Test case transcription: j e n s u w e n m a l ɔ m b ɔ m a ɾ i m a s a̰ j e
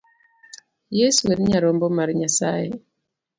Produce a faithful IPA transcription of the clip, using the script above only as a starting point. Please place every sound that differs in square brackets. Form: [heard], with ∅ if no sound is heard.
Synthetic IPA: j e [∅] s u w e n [ɲ] a [ɾ] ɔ m b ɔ m a ɾ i [ɲ] a s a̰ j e